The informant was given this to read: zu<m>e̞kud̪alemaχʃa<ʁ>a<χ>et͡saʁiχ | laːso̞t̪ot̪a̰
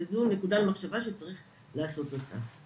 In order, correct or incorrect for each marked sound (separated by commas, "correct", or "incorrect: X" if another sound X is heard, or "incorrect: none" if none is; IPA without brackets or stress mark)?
incorrect: n, incorrect: v, incorrect: ʃ